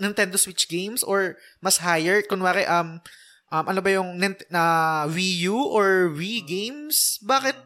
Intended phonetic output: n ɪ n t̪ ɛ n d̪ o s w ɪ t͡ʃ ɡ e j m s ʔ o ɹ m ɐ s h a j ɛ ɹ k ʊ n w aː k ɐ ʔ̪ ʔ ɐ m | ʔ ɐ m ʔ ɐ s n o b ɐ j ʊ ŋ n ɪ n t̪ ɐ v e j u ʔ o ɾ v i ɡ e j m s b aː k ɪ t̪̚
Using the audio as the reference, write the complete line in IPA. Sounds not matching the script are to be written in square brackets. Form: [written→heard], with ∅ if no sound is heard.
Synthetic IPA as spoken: n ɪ n t̪ ɛ n d̪ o s w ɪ t͡ʃ ɡ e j m s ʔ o ɹ m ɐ s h a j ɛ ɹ k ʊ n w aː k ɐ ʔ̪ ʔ ɐ m | ʔ ɐ m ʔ ɐ [s→∅] n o b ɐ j ʊ ŋ n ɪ n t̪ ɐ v [e→i] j u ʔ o [ɾ→ɹ] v i ɡ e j m s b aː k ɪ t̪̚